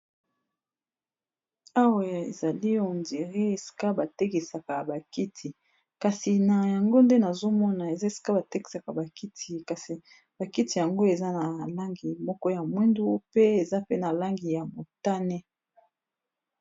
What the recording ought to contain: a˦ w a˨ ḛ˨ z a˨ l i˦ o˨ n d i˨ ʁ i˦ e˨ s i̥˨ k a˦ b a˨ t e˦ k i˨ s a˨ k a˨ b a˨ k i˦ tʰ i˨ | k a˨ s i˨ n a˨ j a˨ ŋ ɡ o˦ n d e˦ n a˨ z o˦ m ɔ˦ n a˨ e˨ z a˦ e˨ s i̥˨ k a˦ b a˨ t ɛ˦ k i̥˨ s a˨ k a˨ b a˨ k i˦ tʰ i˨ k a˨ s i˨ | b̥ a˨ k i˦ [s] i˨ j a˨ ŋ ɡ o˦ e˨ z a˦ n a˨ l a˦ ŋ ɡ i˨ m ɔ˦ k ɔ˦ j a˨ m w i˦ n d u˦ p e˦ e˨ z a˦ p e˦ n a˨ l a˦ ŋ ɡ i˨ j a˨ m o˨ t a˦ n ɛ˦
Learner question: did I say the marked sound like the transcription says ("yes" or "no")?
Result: no